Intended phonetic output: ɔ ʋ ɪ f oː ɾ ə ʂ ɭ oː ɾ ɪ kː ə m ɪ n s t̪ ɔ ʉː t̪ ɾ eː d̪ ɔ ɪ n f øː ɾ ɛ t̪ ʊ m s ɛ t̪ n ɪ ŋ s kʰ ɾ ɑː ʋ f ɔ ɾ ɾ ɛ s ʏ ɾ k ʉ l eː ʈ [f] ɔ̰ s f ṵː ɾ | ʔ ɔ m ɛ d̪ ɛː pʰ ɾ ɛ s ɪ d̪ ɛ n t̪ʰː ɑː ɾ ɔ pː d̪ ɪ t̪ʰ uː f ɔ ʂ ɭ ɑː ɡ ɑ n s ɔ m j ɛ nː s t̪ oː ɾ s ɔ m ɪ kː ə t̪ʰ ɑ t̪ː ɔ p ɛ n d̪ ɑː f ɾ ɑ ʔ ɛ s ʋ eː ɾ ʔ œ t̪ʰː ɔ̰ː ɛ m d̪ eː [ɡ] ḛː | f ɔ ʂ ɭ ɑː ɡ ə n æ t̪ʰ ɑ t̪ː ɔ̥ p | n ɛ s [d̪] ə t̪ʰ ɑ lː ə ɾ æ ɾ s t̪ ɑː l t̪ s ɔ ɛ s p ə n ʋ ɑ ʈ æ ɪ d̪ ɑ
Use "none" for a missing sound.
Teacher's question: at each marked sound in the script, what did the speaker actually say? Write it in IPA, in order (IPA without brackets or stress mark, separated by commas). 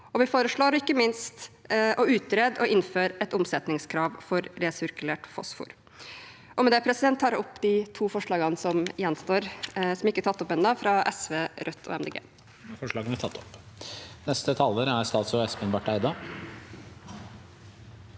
f, ɡ, t̪